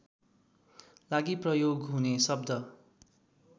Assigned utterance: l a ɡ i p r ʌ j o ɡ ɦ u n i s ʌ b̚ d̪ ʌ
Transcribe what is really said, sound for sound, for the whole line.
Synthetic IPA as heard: l a ɡ i p r ʌ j o ɡ ɦ u n e s ʌ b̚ d̪ ʌ

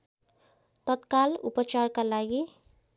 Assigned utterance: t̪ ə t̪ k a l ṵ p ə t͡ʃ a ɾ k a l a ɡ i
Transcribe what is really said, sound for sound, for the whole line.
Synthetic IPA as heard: t̪ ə t̪ k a l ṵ p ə t͡ʃ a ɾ k a l a ɡ i

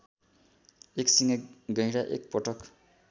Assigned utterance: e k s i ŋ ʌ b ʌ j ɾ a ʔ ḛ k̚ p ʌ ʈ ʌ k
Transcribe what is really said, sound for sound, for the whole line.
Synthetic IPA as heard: e k s i ŋ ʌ ɡ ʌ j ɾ a ʔ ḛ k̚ p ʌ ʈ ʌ k

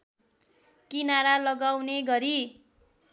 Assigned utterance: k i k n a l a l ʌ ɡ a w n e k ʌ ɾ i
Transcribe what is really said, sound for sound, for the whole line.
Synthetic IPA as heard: k i n a ɾ a l ʌ ɡ a w n e ɡ ʌ ɾ i

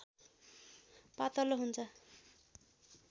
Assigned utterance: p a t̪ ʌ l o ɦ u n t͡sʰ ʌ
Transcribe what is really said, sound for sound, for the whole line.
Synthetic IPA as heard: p a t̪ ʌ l o ɦ u n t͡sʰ ʌ

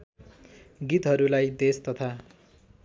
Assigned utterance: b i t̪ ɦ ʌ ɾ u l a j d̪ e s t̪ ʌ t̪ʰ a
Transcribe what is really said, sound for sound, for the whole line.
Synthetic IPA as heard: ɡ i t̪ ɦ ʌ ɾ u l a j d̪ e s t̪ ʌ t̪ʰ a

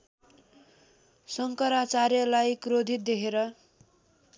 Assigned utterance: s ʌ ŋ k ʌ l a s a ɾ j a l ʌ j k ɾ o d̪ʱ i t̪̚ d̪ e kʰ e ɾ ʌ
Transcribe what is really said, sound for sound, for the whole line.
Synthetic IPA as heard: s ʌ ŋ k ʌ ɾ a t͡s a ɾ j ʌ l a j k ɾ o d̪ʱ i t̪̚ d̪ e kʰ e ɾ ʌ

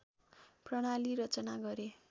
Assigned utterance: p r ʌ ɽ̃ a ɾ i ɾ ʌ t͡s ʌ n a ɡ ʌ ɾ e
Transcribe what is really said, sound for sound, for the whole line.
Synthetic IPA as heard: p r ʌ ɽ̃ a l i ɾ ʌ t͡s ʌ n a ɡ ʌ ɾ e

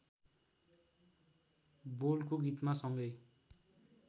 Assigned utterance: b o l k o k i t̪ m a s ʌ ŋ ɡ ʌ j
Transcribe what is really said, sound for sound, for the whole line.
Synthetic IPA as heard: b o l k o ɡ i t̪ m a s ʌ ŋ ɡ ʌ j

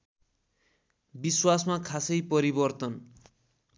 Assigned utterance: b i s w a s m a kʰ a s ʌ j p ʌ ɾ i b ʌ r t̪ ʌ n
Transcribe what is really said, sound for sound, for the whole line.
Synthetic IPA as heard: b i s w a s m a kʰ a s ʌ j p ʌ ɾ i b ʌ r t̪ ʌ n

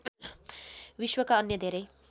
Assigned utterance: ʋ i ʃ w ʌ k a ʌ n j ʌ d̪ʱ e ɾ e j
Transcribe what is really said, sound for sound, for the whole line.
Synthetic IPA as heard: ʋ i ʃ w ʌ k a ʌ n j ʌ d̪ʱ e ɾ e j

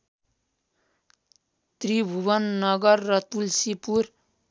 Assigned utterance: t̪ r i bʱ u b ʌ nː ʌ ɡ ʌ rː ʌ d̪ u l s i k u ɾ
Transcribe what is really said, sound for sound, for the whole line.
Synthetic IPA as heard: t̪ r i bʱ u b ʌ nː ʌ ɡ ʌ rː ʌ t̪ u l s i p u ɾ

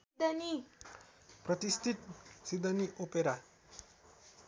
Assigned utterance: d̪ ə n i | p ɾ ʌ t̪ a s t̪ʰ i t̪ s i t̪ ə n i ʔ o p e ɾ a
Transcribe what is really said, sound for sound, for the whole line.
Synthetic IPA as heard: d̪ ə n i | p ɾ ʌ t̪ i s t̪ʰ i t̪ s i d̪ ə n i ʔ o p e ɾ a

